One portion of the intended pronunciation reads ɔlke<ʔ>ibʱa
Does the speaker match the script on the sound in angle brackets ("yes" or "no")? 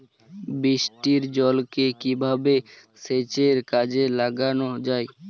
no